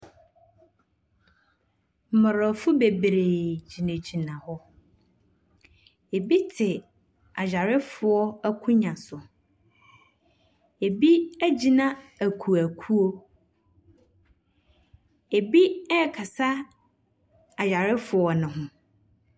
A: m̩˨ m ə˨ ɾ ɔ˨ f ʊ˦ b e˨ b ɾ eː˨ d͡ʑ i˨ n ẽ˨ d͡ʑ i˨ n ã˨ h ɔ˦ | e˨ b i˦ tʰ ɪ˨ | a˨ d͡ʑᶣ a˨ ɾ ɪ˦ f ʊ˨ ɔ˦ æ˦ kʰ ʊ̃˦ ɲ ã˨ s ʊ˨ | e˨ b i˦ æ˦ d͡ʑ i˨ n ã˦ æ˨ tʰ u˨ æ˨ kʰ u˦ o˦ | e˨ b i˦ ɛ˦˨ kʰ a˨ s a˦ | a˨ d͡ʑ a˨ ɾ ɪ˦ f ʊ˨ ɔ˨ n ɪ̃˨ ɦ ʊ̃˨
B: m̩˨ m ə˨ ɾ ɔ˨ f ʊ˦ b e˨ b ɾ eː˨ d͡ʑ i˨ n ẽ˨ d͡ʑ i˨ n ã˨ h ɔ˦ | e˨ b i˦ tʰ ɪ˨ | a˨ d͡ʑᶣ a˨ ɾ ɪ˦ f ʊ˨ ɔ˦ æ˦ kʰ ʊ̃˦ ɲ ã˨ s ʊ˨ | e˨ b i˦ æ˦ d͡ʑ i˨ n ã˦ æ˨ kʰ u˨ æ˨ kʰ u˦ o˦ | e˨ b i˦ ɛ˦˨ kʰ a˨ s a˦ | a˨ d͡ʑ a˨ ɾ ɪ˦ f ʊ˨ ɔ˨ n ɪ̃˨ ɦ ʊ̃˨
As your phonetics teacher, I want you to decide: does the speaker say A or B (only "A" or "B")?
B